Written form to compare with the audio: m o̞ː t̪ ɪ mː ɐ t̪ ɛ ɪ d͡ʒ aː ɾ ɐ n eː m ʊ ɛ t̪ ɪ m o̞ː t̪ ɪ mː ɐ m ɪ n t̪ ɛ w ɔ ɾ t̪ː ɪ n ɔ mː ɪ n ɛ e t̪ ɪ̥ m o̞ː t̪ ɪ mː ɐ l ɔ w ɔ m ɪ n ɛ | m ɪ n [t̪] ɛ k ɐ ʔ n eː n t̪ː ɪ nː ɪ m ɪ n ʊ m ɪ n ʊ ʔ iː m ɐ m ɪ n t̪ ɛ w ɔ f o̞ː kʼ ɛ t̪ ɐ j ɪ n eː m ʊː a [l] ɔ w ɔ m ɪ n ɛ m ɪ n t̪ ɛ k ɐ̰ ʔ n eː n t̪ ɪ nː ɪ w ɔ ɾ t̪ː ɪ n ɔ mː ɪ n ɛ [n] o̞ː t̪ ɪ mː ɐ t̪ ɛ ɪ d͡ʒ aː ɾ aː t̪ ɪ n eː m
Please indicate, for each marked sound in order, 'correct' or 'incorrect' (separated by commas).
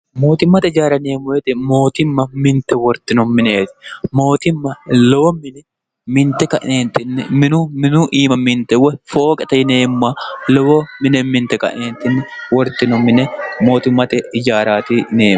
correct, correct, incorrect